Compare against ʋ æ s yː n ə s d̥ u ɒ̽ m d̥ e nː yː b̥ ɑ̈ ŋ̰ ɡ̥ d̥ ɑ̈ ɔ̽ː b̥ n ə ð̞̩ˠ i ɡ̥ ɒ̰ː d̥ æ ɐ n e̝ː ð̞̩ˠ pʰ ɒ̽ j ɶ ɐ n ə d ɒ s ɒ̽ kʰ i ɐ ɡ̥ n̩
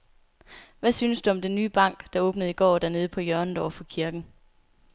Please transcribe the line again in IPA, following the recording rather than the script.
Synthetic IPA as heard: ʋ æ s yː n ə s d̥ u ɒ̽ m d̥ e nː yː b̥ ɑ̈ ŋ̰ ɡ̥ d̥ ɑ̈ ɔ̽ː b̥ n ə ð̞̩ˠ i ɡ̥ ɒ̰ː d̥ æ ɐ n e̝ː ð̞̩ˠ pʰ ɒ̽ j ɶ ɐ n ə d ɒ f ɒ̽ kʰ i ɐ ɡ̥ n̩